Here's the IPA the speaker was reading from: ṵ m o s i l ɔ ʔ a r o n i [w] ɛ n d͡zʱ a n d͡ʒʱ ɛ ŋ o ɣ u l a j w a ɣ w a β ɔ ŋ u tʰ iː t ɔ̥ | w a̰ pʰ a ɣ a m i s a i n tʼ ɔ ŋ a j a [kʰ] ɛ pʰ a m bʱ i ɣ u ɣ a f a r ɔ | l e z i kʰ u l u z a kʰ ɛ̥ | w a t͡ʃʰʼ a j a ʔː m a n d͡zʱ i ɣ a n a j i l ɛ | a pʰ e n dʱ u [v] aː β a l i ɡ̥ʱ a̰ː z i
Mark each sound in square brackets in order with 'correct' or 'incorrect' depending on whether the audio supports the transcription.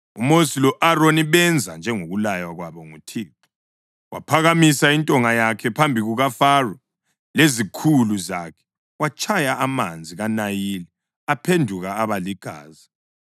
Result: incorrect: β, correct, incorrect: ɣ

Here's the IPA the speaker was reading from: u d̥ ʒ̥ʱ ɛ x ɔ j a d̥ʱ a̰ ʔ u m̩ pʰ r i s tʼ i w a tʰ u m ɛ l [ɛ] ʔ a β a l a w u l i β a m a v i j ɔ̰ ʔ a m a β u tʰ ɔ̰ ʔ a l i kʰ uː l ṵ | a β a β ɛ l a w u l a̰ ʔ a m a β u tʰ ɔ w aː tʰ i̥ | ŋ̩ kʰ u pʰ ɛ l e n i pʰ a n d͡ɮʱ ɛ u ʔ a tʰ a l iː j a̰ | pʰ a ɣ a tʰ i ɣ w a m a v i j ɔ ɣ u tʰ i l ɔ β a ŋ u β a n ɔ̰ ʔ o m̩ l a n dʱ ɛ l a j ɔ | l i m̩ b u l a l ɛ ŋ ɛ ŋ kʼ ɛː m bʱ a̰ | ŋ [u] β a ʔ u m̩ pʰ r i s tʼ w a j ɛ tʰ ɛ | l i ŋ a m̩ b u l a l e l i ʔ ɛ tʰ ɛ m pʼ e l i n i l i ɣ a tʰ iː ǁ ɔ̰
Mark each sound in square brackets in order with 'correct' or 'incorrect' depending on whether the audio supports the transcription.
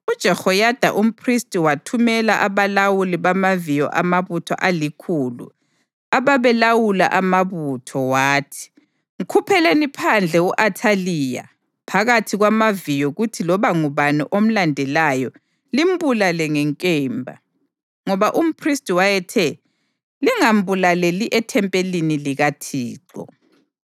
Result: incorrect: a, incorrect: ɔ

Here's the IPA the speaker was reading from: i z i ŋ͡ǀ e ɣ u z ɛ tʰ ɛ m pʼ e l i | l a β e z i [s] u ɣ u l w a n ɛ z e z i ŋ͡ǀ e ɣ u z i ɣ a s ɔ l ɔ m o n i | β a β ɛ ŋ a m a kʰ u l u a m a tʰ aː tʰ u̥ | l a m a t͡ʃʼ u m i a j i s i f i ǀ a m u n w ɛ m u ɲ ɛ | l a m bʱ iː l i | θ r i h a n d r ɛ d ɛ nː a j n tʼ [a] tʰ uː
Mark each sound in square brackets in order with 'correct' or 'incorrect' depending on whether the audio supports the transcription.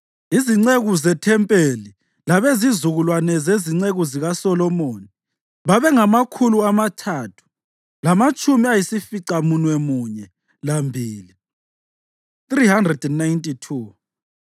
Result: incorrect: z, incorrect: i

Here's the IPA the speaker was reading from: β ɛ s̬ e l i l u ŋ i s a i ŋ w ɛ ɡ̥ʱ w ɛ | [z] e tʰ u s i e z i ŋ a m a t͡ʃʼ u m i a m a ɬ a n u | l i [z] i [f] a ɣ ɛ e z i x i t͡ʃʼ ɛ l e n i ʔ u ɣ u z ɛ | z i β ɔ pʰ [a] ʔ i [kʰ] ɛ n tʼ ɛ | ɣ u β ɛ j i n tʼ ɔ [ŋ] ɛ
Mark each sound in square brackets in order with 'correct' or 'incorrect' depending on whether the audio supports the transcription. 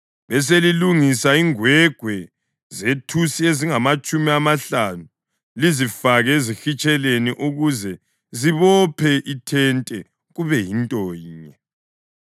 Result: correct, correct, correct, incorrect: ɛ, incorrect: tʰ, incorrect: ɲ

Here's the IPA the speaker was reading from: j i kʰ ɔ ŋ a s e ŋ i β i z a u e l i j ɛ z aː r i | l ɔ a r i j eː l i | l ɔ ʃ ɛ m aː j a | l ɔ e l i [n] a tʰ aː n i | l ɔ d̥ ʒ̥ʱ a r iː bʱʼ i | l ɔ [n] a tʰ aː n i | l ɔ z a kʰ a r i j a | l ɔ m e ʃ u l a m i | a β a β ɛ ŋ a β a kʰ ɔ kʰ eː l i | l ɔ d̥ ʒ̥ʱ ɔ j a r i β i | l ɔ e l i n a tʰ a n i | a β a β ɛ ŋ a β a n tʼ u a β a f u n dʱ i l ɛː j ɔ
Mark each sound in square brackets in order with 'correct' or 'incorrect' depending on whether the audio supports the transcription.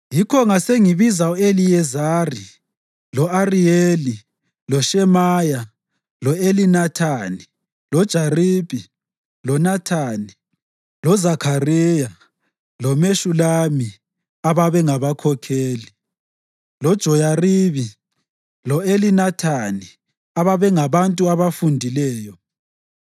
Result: correct, correct

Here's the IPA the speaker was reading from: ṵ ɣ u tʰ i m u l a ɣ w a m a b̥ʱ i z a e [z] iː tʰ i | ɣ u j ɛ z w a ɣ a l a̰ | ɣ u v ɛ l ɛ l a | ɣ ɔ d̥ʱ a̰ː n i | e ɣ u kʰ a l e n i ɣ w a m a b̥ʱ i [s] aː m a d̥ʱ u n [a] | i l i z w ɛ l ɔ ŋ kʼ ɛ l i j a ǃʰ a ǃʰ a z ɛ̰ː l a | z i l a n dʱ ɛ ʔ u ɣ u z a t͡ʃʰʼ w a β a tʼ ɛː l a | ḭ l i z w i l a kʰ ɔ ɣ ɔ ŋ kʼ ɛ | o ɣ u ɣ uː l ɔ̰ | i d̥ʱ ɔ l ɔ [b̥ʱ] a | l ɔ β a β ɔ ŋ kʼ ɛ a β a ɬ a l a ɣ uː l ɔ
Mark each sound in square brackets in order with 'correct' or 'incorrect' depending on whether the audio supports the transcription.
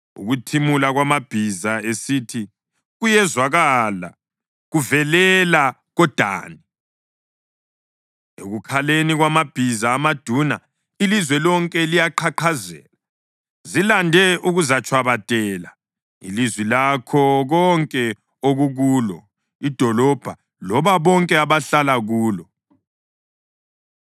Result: incorrect: s, incorrect: z, correct, correct

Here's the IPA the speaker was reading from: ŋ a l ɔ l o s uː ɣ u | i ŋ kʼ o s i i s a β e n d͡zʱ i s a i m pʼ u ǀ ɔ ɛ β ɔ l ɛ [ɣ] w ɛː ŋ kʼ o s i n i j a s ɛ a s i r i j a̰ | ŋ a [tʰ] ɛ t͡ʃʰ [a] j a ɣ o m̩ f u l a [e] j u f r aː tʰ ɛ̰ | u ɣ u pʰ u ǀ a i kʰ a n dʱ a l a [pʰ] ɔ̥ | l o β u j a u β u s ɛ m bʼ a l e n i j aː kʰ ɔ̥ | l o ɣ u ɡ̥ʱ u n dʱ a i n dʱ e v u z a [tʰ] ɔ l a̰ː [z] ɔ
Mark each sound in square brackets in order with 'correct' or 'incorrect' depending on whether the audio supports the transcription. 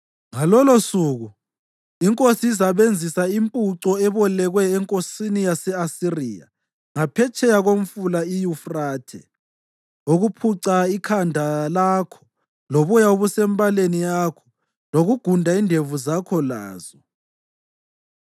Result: correct, incorrect: pʰ, incorrect: ɛ, incorrect: i, incorrect: kʰ, incorrect: kʰ, correct

